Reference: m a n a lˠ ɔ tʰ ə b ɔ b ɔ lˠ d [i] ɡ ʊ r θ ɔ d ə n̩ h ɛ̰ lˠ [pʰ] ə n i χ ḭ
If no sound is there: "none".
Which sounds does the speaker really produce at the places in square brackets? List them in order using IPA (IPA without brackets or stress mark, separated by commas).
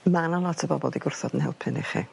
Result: i, pʰ